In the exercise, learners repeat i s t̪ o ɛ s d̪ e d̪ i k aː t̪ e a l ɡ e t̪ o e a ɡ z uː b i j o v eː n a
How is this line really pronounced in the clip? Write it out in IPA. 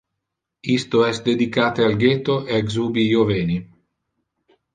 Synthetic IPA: i s t̪ o ɛ s d̪ e d̪ i k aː t̪ e a l ɡ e t̪ o e a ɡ z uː b i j o v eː n i